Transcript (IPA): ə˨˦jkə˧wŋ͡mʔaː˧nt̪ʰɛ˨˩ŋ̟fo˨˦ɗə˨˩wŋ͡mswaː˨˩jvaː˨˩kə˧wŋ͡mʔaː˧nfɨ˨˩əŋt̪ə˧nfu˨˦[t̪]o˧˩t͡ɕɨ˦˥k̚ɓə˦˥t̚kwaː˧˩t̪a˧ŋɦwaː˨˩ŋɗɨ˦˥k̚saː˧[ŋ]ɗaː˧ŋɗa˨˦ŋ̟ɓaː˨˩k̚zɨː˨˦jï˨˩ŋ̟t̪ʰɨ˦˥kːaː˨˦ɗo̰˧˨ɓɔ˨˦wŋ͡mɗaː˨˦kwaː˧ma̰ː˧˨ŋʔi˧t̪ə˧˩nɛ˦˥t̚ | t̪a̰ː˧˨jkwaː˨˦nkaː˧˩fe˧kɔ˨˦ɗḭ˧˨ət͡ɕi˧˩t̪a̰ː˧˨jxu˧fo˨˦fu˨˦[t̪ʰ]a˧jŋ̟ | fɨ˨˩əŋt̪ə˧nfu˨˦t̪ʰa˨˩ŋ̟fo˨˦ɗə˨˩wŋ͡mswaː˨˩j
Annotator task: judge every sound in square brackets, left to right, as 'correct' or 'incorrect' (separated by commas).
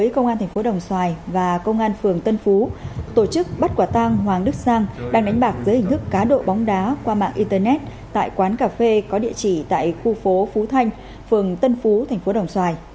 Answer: correct, correct, correct